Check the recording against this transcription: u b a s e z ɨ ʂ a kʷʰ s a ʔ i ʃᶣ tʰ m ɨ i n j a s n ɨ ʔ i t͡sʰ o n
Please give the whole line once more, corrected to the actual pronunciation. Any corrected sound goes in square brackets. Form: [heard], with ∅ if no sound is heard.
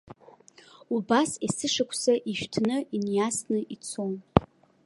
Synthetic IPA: u b a s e [s] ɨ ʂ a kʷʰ s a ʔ i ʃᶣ tʰ [n] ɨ i n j a s n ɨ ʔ i t͡sʰ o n